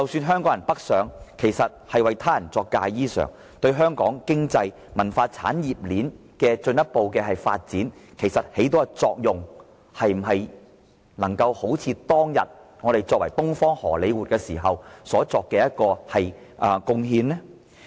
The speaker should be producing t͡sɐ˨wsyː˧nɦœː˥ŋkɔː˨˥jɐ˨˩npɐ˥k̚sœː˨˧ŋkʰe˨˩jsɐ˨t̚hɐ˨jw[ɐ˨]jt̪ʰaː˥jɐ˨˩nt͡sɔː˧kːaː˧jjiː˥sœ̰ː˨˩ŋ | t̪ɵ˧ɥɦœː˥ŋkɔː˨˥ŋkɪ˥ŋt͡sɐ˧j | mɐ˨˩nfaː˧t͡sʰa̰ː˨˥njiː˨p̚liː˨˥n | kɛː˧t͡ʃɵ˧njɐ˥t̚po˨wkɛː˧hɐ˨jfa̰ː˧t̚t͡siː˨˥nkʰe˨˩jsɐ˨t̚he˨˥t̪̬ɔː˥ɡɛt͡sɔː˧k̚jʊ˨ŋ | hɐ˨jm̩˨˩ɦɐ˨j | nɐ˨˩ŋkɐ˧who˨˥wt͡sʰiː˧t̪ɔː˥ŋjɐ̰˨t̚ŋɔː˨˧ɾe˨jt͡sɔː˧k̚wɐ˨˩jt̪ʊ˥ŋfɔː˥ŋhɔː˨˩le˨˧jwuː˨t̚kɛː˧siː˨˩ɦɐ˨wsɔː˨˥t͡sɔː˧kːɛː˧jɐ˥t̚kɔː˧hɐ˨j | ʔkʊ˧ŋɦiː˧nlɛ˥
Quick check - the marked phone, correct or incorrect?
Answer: correct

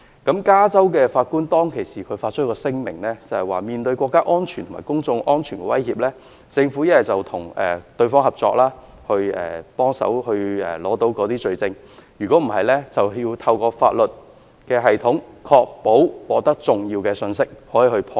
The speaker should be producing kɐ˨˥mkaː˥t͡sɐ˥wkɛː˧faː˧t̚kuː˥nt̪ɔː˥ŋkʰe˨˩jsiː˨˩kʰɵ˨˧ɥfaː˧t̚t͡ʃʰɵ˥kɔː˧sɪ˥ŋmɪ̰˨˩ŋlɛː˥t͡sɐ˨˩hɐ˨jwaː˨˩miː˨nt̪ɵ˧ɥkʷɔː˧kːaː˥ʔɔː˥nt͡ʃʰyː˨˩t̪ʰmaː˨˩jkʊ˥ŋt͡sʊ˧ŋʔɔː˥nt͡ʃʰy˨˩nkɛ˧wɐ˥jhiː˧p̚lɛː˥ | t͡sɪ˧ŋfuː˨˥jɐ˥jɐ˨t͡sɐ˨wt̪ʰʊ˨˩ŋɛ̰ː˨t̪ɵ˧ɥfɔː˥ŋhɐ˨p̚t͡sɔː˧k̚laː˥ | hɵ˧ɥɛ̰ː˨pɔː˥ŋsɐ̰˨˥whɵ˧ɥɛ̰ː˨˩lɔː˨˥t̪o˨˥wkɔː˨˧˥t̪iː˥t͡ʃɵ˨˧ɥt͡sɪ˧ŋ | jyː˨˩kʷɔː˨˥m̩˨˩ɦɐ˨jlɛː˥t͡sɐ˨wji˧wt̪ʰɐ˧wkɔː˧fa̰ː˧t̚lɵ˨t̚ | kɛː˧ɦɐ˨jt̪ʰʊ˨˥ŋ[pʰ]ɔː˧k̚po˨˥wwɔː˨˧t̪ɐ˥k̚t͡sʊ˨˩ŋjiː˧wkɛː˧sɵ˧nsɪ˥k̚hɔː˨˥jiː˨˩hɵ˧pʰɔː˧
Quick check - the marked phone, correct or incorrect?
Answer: incorrect: kʰ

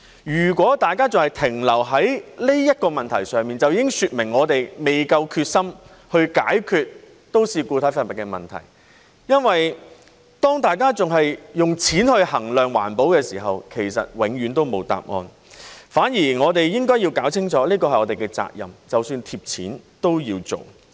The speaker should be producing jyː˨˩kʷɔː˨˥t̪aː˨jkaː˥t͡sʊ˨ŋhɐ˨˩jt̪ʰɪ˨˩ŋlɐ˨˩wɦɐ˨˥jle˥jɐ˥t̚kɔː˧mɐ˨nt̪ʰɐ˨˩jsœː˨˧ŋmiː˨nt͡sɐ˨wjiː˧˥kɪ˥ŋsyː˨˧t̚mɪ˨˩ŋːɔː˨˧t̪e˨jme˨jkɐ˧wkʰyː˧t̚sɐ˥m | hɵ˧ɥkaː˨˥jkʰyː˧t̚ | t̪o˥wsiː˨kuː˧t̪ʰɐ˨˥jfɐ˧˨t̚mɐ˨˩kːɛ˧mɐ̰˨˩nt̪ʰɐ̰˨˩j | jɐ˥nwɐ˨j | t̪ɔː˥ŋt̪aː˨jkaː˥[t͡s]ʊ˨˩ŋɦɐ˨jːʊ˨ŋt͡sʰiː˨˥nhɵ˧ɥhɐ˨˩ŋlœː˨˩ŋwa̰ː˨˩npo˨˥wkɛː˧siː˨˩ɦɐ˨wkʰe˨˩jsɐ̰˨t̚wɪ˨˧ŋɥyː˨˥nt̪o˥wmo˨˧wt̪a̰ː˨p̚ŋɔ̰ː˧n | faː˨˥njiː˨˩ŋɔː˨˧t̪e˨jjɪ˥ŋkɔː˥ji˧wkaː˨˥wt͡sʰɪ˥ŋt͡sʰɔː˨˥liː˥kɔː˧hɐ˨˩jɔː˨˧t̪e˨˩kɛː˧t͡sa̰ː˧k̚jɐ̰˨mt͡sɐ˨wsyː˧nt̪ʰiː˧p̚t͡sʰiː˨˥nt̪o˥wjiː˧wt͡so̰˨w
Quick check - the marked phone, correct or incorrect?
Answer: correct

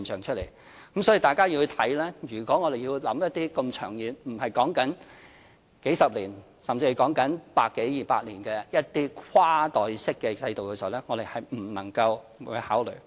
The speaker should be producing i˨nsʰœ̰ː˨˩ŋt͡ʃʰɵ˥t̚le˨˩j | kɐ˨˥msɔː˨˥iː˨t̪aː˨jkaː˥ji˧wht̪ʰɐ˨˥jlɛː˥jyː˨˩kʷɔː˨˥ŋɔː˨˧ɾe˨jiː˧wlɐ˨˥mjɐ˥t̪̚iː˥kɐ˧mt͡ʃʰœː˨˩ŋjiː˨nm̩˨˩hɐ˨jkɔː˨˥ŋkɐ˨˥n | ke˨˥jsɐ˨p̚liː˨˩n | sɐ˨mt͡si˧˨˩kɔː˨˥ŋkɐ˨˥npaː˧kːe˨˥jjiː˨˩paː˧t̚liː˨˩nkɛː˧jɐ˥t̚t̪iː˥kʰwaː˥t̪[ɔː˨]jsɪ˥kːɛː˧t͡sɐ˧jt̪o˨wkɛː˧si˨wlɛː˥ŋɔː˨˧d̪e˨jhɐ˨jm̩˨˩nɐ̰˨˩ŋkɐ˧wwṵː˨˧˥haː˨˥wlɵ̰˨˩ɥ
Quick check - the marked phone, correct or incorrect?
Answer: correct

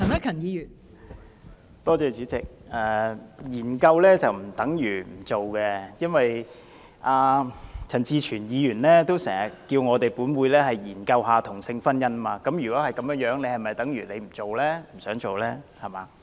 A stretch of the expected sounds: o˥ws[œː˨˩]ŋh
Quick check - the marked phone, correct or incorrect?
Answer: incorrect: ɛː˨˩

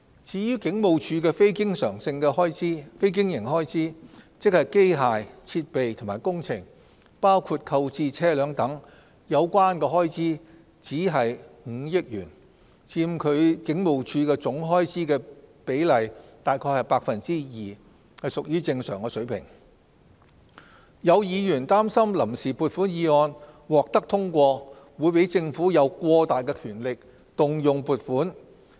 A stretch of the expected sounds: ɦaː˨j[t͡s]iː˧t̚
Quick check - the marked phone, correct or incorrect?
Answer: incorrect: t͡sʰ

